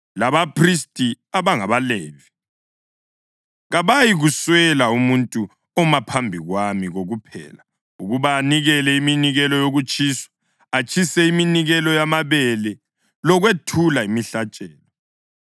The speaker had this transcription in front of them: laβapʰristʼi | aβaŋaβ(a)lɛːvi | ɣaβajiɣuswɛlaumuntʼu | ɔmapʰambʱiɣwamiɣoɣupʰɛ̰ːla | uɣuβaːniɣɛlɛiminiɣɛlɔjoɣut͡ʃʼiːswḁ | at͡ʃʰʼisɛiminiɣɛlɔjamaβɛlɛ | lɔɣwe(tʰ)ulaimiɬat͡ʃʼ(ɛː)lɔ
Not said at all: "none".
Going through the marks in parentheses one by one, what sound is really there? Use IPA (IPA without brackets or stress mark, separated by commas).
a, tʰ, ɛː